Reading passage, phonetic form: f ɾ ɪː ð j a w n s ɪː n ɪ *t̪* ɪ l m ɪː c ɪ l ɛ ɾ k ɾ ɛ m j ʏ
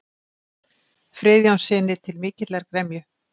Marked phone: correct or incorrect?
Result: incorrect